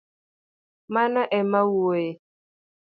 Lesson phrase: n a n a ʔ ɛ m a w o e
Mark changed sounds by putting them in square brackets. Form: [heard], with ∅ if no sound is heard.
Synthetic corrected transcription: [m] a n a ʔ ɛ m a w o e